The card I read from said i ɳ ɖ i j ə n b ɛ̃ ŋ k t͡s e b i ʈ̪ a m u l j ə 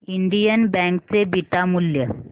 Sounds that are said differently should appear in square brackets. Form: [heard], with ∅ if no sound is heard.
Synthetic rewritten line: i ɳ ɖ i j ə n b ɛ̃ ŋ k t͡s e b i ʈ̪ a m u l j ə